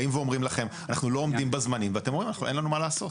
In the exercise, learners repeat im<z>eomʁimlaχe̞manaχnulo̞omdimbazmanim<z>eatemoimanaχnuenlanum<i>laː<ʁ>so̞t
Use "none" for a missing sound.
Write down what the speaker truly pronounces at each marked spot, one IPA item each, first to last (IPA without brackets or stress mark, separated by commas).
v, v, a, none